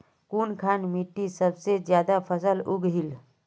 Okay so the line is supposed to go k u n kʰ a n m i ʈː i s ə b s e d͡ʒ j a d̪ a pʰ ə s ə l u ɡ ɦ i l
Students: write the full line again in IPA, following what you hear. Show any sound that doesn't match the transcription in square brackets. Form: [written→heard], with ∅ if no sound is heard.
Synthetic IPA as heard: k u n kʰ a n m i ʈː i s ə b s e d͡ʒ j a d̪ a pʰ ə s ə l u ɡ ɦ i l

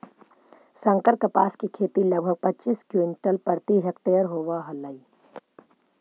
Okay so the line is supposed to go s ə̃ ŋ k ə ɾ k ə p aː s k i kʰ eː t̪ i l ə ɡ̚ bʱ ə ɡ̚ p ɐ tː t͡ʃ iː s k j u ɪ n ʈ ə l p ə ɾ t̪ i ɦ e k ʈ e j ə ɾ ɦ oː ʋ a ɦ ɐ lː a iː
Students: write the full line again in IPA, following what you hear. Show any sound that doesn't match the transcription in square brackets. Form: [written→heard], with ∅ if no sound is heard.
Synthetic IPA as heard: s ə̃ ŋ k ə ɾ k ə p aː s k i kʰ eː t̪ i l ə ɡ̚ bʱ ə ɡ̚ p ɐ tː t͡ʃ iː s k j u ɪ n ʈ ə l p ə ɾ t̪ i ɦ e k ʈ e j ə ɾ ɦ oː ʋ a ɦ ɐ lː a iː

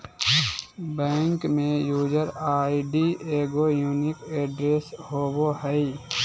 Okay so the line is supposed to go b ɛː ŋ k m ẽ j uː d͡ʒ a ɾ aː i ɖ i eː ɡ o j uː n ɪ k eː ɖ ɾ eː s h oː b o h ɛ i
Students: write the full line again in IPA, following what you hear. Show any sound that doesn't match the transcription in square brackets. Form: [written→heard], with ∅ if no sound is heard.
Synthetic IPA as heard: b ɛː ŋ k m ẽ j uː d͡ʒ [a→ə] ɾ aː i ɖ i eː ɡ o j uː n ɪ k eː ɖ ɾ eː s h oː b o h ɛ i

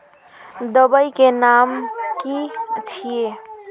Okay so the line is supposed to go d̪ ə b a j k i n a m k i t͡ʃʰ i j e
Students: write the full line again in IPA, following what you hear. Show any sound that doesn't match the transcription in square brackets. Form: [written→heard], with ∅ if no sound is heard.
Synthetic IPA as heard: d̪ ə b [a→ə] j k [i→e] n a m k i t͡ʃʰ i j e

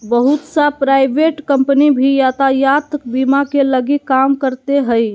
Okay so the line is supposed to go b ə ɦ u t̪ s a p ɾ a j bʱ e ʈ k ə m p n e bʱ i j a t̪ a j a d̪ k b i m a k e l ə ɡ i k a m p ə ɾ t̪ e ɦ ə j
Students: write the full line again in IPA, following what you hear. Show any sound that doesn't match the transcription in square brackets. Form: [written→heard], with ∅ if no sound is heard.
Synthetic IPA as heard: b ə ɦ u t̪ s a p ɾ a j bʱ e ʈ k ə m p n [e→i] bʱ i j a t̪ a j a [d̪→t̪] k b i m a k e l ə ɡ i k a m [p→k] ə ɾ t̪ e ɦ ə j

